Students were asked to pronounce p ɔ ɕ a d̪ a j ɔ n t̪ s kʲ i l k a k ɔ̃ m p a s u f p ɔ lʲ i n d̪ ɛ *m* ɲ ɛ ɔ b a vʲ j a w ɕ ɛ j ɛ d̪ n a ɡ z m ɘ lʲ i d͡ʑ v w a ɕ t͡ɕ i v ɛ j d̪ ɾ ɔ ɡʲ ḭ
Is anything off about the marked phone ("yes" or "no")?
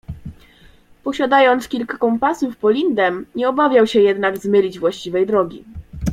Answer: no